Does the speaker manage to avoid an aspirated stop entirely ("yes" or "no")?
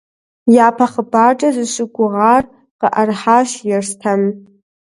no